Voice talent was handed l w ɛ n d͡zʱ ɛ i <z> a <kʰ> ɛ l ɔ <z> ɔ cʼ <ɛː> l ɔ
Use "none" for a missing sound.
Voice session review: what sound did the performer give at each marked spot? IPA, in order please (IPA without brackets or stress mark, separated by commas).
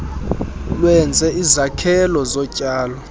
z, kʰ, z, aː